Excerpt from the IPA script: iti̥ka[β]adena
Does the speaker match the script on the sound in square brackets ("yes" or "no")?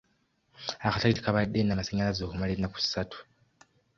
yes